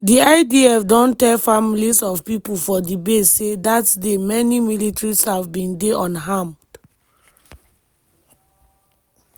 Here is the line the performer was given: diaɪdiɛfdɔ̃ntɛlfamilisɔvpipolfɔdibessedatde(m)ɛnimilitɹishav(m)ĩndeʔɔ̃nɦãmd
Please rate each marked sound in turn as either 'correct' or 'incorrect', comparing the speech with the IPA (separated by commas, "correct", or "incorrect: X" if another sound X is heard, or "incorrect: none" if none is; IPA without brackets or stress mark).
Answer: correct, incorrect: b